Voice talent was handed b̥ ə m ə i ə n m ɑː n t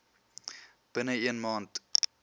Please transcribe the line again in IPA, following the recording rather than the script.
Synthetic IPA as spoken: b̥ ə n ə i ə n m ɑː n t

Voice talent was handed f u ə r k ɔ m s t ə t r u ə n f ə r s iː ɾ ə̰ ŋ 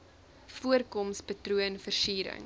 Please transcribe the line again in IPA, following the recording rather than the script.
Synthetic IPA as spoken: f u ə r k ɔ m s p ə t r u ə n f ə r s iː ɾ ə̰ ŋ

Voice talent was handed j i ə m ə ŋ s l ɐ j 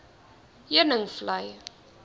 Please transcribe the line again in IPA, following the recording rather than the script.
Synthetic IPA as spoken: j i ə n ə ŋ f l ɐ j

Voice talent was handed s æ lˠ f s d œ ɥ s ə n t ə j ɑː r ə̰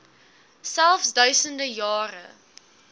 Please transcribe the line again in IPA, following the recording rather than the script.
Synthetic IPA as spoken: s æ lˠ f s d œ ɥ s ə n d ə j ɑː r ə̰

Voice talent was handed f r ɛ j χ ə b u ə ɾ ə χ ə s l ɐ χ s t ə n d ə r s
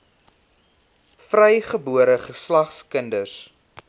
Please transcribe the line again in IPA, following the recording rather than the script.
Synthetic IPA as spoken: f r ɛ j χ ə b u ə ɾ ə χ ə s l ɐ χ s k ə n d ə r s

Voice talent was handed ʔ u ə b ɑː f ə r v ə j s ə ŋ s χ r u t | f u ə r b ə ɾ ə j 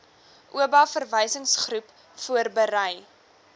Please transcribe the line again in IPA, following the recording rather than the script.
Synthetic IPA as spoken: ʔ u ə b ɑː f ə r v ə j s ə ŋ s χ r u p | f u ə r b ə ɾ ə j

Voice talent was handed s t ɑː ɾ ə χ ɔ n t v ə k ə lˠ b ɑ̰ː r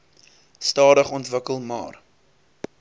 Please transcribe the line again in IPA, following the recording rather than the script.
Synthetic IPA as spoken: s t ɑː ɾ ə χ ɔ n t v ə k ə lˠ m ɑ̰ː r

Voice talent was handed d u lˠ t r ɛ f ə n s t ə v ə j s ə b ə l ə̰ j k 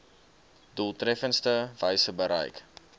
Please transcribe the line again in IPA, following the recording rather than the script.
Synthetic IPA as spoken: d u lˠ t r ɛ f ə n s t ə v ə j s ə b ə ɾ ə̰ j k

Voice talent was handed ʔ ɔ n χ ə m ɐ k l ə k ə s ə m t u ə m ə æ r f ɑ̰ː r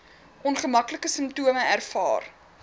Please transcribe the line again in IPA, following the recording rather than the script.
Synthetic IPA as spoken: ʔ ɔ n χ ə m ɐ k l ə k ə s ə m t u ə m ə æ r f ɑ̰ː r

